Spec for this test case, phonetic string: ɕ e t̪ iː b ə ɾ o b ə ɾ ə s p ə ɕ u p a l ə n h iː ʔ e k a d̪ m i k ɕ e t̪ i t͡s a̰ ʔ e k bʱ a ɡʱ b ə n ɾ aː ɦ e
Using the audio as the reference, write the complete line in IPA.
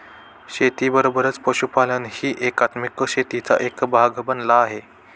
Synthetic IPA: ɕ e t̪ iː b ə ɾ o b ə ɾ ə t͡s p ə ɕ u p a l ə n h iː ʔ e k a t̪ m i k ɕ e t̪ i t͡s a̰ ʔ e k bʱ a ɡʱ b ə n l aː ɦ e